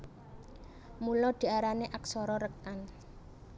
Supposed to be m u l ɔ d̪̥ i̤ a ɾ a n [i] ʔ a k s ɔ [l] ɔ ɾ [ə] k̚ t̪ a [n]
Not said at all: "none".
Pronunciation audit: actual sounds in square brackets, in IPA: e, ɾ, ə, n

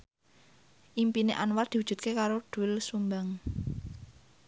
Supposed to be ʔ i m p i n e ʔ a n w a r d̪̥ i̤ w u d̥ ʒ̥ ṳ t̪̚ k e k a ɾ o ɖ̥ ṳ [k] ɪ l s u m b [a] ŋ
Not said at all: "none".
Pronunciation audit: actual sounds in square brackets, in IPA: none, a

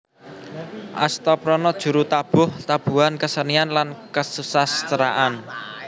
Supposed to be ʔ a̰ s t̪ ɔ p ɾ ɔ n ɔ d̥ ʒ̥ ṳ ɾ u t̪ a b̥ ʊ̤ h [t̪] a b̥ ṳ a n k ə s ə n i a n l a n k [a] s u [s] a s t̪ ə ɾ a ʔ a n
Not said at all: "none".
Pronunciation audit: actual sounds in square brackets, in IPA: t̪, ə, s

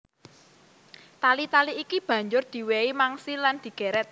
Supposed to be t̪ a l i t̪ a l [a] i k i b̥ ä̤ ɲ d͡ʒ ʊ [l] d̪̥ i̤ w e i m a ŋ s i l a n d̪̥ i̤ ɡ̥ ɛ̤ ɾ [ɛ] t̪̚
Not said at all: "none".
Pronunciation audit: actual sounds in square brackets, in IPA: i, r, ɛ

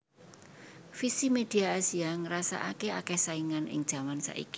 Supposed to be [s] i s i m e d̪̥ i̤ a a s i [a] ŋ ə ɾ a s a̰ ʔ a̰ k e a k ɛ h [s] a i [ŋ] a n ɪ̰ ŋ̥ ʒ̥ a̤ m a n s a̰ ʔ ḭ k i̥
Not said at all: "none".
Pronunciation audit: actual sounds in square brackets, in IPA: f, a, s, ŋ

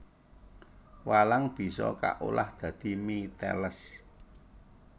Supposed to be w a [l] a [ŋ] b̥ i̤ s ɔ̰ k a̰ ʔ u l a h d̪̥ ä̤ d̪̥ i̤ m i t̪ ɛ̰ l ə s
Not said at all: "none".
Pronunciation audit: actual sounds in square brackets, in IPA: l, ŋ

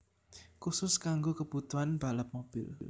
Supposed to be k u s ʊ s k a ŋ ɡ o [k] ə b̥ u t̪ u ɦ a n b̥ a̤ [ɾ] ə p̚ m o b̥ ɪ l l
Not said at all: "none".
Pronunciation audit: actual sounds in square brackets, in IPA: k, l

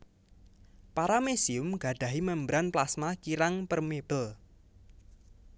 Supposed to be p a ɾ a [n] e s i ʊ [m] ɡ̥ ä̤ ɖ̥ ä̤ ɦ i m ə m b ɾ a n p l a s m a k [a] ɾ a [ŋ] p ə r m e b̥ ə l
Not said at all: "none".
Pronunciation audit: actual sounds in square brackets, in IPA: m, m, i, ŋ

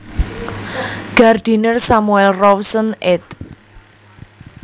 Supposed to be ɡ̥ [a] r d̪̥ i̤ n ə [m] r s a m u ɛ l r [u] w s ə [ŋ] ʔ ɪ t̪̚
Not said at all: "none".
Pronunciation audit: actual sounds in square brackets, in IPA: a, none, ɔ, n

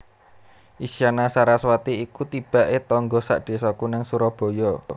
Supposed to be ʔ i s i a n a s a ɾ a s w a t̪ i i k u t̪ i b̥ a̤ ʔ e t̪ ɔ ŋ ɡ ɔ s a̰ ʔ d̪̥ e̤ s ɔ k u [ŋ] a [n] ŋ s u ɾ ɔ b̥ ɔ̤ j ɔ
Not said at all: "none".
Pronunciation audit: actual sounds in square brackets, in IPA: n, none

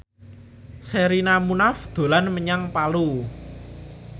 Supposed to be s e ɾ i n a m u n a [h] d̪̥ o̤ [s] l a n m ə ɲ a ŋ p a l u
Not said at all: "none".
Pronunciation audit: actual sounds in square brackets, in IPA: f, none

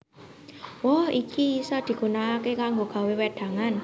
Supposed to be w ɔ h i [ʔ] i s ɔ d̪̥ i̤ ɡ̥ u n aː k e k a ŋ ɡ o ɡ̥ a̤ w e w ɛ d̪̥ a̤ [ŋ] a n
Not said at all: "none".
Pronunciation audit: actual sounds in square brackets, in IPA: k, ŋ

